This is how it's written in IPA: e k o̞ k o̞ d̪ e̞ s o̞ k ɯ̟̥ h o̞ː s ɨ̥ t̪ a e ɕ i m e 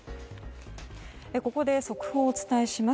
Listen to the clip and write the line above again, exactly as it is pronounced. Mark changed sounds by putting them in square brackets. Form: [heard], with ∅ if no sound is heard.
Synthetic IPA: e k o̞ k o̞ d̪ e̞ s o̞ k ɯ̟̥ h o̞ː [t͡s] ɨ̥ t̪ a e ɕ i m [a]